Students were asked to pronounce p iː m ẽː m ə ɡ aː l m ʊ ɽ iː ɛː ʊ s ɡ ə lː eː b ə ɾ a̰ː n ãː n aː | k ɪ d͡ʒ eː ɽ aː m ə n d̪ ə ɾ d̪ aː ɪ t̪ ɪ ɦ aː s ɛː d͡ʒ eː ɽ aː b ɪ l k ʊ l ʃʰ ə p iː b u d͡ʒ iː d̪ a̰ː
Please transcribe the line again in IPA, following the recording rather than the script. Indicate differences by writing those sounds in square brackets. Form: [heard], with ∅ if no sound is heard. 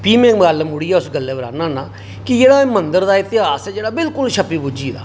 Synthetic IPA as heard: p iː m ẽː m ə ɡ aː l m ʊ ɽ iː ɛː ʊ s ɡ ə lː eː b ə ɾ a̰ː n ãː n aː | k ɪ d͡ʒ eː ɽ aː m ə n d̪ ə ɾ d̪ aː ɪ t̪ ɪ ɦ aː s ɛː d͡ʒ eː ɽ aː b ɪ l k ʊ l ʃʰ ə p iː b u d͡ʒ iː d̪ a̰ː